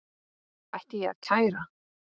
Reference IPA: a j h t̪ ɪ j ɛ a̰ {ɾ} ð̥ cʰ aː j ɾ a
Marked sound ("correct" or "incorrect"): incorrect